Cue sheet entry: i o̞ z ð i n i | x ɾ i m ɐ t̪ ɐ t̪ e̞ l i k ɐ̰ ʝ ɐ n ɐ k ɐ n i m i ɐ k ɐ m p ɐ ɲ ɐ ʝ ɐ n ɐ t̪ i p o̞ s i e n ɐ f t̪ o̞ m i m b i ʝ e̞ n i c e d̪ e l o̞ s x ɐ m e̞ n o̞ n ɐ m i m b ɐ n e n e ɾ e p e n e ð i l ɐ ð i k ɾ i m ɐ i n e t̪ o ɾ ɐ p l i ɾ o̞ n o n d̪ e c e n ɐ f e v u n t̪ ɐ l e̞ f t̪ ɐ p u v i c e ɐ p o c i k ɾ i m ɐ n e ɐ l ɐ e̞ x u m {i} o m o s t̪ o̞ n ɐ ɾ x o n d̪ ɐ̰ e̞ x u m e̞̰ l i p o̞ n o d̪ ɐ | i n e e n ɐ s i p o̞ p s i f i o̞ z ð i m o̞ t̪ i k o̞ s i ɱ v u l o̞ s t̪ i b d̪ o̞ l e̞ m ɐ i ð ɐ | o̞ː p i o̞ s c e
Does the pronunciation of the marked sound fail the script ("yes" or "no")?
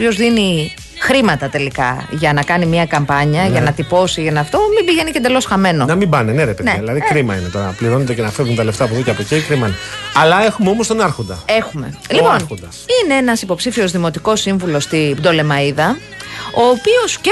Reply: yes